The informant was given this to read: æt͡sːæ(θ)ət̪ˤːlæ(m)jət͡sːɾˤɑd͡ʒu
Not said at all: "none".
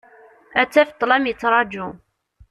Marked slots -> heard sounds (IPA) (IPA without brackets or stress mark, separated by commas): f, m